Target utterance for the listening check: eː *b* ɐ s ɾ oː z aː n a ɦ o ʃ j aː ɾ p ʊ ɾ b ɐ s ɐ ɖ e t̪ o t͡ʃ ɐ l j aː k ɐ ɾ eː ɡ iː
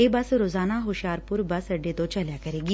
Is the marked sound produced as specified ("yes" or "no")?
yes